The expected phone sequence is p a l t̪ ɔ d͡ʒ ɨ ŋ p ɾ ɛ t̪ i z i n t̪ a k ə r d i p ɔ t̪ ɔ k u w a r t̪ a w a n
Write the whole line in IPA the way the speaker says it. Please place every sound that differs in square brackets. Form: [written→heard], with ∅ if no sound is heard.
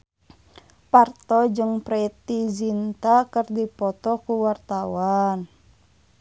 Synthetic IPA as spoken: p a [l→r] t̪ ɔ d͡ʒ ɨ ŋ p ɾ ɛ t̪ i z i n t̪ a k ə r d i p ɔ t̪ ɔ k u w a r t̪ a w a n